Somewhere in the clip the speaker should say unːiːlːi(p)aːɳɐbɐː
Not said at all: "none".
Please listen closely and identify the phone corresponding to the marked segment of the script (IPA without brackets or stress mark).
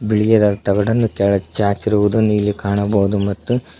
k